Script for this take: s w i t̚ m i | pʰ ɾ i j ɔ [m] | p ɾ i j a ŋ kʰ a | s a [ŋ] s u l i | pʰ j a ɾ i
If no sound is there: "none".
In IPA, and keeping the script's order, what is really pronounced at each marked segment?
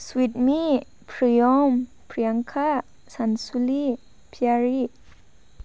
m, n

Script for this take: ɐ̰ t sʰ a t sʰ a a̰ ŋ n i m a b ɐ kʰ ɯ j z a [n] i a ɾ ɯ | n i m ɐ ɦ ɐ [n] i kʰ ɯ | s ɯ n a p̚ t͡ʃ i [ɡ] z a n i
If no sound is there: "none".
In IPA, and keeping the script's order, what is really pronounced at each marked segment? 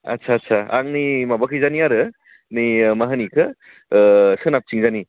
n, n, ŋ

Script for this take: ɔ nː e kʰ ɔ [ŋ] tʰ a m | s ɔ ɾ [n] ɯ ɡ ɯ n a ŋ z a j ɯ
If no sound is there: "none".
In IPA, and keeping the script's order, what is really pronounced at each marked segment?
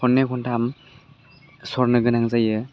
n, n

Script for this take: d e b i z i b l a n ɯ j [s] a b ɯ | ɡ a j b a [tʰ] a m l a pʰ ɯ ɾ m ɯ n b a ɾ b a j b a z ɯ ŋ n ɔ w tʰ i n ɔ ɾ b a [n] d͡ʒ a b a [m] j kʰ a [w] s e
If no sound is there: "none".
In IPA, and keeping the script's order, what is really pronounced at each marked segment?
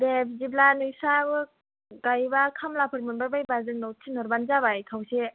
s, kʰ, n, none, w

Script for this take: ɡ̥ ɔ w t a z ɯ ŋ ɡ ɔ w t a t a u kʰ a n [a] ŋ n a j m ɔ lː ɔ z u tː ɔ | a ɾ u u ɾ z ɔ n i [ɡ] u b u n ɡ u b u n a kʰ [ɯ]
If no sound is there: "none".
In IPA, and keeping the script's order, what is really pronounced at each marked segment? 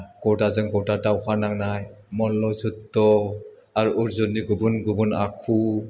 a, ɡ, u

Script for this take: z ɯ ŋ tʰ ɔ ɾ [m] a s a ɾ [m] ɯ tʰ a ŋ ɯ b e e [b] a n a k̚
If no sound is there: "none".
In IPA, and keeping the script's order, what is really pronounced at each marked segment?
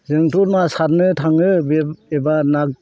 m, n, b

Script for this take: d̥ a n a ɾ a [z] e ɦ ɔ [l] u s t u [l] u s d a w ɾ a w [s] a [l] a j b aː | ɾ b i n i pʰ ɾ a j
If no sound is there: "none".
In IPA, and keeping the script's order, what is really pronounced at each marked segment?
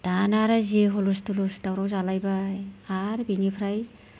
z, l, l, z, l

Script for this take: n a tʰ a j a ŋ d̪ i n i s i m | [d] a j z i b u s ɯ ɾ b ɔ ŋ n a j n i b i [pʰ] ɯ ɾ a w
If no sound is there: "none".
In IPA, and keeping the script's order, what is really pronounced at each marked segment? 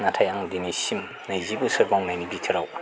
n, tʰ

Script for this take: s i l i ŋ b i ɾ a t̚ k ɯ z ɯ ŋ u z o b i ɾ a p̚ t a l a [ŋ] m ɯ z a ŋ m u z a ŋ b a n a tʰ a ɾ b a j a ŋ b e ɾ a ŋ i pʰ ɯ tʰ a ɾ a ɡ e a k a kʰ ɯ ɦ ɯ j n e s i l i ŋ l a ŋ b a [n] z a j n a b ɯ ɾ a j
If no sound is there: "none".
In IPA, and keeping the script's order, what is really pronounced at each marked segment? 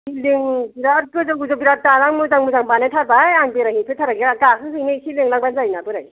ŋ, n

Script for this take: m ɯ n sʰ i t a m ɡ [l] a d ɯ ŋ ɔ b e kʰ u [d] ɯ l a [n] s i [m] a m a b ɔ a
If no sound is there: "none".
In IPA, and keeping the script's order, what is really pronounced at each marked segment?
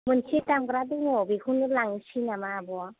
ɾ, n, ŋ, n

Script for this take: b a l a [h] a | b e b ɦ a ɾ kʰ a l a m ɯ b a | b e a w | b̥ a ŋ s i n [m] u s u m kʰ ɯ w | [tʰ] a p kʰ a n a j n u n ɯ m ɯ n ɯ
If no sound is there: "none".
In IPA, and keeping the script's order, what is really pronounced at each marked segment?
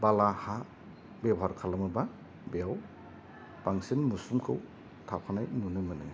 h, m, tʰ

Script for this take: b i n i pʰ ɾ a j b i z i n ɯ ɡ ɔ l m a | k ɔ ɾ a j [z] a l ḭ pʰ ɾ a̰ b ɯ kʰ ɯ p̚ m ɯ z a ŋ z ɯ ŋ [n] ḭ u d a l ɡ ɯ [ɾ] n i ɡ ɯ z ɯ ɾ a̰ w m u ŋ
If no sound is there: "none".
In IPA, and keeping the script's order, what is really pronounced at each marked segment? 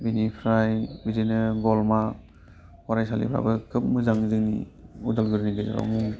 s, n, ɾ

